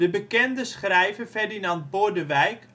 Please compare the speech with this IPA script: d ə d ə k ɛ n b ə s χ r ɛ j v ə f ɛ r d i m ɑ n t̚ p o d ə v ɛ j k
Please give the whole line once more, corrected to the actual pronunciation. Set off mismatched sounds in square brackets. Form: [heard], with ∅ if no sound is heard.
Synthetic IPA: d ə [b] ə k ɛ n [d] ə s χ r ɛ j v ə f ɛ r d i [n] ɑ n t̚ [b] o d ə [ʋ] ɛ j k